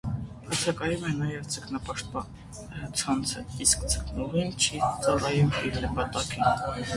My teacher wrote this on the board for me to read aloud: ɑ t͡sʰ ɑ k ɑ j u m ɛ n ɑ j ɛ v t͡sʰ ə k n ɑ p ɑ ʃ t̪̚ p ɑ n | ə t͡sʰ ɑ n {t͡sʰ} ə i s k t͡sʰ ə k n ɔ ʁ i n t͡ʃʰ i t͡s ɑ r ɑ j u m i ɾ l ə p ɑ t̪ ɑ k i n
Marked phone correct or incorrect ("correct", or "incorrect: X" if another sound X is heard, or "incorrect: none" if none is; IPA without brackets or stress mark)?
correct